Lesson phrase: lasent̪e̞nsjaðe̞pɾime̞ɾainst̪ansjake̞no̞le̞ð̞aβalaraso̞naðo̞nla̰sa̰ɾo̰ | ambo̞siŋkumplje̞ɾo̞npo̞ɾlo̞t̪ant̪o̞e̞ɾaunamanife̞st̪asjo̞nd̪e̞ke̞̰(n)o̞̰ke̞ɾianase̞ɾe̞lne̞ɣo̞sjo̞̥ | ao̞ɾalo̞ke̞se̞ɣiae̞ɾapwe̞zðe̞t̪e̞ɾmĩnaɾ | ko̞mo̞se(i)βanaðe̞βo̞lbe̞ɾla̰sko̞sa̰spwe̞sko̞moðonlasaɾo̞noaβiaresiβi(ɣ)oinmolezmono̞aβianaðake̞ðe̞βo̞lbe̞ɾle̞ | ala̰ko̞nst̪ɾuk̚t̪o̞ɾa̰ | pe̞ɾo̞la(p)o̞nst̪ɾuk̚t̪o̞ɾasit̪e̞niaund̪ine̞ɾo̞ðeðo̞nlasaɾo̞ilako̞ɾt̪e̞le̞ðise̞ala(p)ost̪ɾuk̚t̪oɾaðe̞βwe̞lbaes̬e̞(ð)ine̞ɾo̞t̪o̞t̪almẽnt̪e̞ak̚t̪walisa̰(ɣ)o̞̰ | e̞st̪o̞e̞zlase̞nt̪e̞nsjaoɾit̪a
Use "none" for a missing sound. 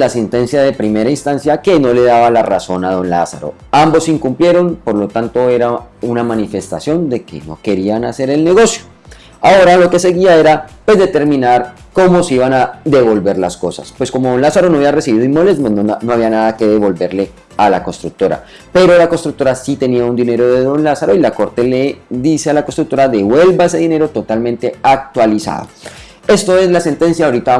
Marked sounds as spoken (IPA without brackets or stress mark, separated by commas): n, i, ð, k, k, ð, ð